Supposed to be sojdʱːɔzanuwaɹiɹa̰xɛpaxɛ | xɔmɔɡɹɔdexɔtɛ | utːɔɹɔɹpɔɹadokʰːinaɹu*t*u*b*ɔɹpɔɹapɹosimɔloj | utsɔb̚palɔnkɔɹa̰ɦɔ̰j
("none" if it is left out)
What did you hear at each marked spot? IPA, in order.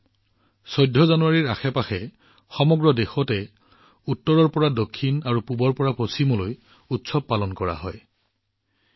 p, b

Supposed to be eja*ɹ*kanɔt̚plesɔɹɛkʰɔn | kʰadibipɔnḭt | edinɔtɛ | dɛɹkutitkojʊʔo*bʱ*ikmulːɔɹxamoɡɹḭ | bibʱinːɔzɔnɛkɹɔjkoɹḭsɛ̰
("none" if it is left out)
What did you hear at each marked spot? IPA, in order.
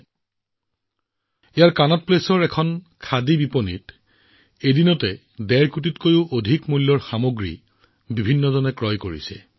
ɹ, dʱ

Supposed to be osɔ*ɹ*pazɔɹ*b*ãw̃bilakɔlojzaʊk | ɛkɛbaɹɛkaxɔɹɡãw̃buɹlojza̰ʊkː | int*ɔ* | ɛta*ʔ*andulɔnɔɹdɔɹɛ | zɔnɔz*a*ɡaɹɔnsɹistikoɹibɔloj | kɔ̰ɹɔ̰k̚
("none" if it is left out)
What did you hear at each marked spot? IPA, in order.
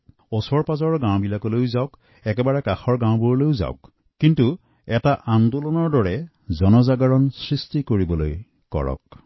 ɹ, ɡ, u, ʔ, a

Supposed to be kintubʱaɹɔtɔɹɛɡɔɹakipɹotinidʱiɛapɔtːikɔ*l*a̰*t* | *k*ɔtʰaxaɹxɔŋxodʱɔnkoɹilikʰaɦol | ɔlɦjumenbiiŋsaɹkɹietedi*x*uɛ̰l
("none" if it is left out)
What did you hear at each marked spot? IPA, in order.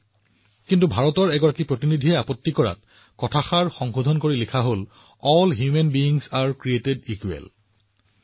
ɹ, t, k, k

